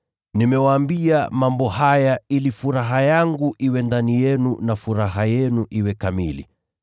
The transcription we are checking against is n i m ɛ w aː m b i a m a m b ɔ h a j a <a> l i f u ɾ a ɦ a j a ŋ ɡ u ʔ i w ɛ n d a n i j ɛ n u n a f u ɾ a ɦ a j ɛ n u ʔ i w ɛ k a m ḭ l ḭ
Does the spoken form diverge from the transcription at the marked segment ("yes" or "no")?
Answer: yes